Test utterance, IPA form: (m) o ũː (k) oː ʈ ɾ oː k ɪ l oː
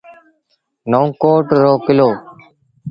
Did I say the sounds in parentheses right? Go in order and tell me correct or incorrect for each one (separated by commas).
incorrect, correct